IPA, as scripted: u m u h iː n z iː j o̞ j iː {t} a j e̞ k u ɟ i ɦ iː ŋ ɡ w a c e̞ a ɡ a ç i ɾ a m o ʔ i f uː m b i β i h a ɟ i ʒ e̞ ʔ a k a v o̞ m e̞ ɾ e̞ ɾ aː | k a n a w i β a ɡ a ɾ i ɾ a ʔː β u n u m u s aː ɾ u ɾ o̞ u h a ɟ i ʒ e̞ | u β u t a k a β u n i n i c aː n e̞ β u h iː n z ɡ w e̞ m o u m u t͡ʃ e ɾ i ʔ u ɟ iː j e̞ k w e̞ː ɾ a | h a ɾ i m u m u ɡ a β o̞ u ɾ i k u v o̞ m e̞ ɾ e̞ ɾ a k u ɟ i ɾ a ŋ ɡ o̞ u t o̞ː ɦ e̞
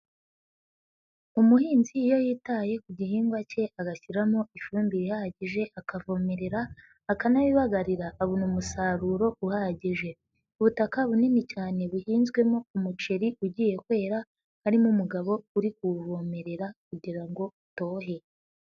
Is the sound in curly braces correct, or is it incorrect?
correct